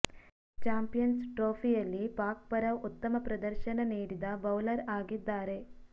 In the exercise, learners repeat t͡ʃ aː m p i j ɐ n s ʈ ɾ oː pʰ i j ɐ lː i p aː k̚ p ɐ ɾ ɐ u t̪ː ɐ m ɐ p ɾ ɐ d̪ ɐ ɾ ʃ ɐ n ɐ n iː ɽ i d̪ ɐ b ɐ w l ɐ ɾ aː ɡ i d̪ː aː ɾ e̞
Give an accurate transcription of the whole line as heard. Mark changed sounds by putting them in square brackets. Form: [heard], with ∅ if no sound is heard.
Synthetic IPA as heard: t͡ʃ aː m p i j ɐ n s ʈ ɾ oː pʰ i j ɐ lː i p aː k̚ p ɐ ɾ ɐ u t̪ː ɐ m ɐ p ɾ ɐ d̪ ɐ ɾ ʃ ɐ n ɐ n iː ɽ i d̪ ɐ b ɐ w l ɐ ɾ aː ɡ i d̪ː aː ɾ e̞

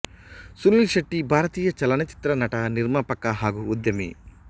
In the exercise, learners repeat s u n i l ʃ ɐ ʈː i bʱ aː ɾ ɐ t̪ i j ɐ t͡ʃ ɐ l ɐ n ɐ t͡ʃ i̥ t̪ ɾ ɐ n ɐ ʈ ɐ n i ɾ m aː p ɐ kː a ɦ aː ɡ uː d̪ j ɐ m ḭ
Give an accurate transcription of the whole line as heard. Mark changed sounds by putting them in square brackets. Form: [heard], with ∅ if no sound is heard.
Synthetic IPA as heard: s u n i l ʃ ɐ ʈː i bʱ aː ɾ ɐ t̪ [iː] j ɐ t͡ʃ ɐ l ɐ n ɐ t͡ʃ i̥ t̪ ɾ ɐ n ɐ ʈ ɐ n i ɾ m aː p ɐ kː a ɦ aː ɡ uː d̪ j ɐ m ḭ

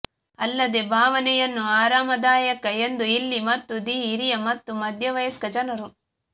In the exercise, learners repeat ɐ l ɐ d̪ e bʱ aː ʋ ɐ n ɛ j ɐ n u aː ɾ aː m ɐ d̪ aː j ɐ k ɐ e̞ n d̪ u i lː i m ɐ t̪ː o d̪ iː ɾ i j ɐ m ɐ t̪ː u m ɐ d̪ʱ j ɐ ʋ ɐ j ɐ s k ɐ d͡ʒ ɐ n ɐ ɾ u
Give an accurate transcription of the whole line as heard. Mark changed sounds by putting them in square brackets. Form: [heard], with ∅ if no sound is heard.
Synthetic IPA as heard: ɐ [lː] ɐ d̪ e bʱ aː ʋ ɐ n ɛ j ɐ [nː] u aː ɾ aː m ɐ d̪ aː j ɐ k ɐ e̞ n d̪ u i lː i m ɐ t̪ː [u] d̪ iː ɾ i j ɐ m ɐ t̪ː u m ɐ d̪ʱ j ɐ ʋ ɐ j ɐ s k ɐ d͡ʒ ɐ n ɐ ɾ u

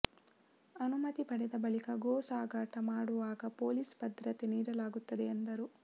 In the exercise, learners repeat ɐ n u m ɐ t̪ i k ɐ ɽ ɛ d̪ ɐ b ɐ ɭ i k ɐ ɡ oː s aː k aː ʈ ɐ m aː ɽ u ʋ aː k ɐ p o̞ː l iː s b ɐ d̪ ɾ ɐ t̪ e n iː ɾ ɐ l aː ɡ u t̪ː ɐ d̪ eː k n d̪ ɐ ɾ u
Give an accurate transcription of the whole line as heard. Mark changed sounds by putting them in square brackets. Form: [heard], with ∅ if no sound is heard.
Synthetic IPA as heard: ɐ n u m ɐ t̪ i [p] ɐ ɽ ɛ d̪ ɐ b ɐ ɭ i k ɐ ɡ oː s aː [ɡ] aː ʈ ɐ m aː ɽ u ʋ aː [ɡ] ɐ p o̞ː l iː s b ɐ d̪ ɾ ɐ t̪ e n iː ɾ ɐ l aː ɡ u t̪ː ɐ d̪ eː [∅] n d̪ ɐ ɾ u

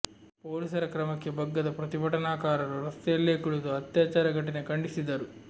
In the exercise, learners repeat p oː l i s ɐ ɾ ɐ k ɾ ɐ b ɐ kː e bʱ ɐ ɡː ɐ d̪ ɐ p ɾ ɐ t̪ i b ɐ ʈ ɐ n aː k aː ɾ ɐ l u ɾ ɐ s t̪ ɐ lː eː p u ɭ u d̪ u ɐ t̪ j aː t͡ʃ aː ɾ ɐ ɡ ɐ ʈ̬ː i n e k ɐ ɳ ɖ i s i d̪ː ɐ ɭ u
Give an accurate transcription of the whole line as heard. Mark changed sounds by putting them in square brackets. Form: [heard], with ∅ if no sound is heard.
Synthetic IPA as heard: p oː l i s ɐ ɾ ɐ k ɾ ɐ [m] ɐ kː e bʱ ɐ ɡː ɐ d̪ ɐ p ɾ ɐ t̪ i b ɐ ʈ ɐ n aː k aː ɾ ɐ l u ɾ ɐ s t̪ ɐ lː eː [k] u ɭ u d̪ u ɐ t̪ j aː t͡ʃ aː ɾ ɐ ɡ ɐ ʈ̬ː i n e k ɐ ɳ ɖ i s i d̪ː ɐ [ɾ] u

